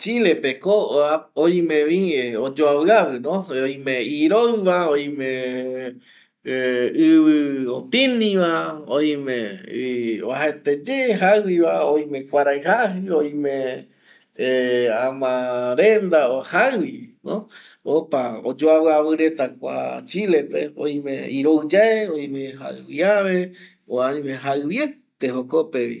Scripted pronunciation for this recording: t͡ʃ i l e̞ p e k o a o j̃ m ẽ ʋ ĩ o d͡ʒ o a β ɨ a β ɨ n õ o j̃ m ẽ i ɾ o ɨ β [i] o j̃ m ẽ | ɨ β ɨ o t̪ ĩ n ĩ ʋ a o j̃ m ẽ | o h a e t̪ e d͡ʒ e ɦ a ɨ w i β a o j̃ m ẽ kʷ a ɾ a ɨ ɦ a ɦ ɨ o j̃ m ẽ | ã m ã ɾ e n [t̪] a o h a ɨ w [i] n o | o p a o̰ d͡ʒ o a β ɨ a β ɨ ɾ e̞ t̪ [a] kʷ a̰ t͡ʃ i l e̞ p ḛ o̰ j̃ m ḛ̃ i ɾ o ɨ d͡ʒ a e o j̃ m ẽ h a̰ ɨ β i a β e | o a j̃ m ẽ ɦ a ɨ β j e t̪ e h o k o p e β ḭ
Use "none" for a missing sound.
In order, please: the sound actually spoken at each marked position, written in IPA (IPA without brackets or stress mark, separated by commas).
a, d̪, i, a